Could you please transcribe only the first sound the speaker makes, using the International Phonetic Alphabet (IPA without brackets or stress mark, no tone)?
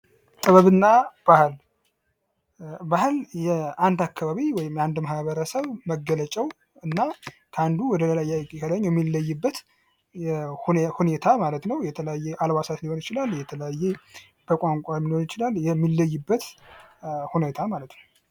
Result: t̪ʼ